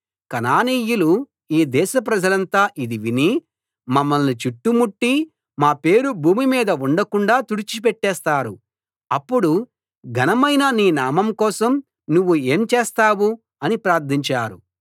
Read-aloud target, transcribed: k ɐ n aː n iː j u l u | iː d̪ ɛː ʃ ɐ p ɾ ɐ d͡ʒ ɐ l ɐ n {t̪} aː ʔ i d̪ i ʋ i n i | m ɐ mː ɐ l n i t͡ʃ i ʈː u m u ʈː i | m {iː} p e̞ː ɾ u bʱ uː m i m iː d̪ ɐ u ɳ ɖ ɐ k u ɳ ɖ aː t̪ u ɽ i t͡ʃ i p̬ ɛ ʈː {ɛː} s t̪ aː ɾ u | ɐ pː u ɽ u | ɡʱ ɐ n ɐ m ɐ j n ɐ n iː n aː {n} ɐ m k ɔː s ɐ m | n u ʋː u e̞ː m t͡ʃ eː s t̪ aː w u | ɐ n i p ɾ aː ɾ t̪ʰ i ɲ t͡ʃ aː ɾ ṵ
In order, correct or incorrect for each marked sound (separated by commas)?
correct, incorrect, correct, incorrect